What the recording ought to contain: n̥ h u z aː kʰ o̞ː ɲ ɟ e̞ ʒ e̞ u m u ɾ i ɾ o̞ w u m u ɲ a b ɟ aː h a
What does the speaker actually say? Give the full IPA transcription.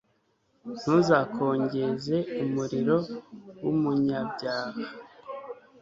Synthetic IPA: n̥ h u z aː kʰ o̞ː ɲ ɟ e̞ z e̞ u m u ɾ i ɾ o̞ w u m u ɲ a b ɟ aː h a